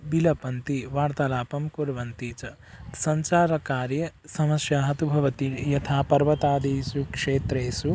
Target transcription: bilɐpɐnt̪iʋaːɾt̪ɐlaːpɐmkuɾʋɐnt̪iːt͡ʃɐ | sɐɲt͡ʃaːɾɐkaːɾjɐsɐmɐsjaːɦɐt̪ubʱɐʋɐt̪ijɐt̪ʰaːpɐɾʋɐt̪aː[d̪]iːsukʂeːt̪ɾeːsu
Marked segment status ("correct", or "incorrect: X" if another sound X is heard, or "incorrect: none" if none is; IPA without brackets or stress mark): correct